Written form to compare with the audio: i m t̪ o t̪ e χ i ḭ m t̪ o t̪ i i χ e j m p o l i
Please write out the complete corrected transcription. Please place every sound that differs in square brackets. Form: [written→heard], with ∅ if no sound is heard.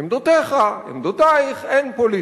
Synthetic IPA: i m [t̪→d̪] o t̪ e χ [i→a] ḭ m [t̪→d̪] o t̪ [i→a] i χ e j [m→n] p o l i